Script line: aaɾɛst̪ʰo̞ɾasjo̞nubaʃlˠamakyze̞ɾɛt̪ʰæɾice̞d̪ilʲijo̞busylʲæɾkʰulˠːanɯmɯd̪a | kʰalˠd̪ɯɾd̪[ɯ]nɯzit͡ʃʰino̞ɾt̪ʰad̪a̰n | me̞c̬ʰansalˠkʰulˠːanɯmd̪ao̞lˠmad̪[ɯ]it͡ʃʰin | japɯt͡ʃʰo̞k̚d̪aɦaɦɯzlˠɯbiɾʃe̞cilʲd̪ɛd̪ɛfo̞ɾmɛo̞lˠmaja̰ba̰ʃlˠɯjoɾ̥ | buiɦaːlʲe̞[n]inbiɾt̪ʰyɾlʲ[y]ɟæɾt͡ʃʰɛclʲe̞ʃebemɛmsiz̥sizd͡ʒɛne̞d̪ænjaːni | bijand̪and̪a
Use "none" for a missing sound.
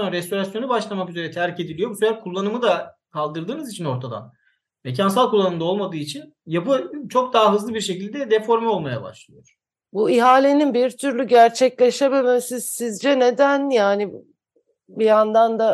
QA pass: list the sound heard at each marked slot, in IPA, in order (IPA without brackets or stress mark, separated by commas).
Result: ɯː, ɯː, n, y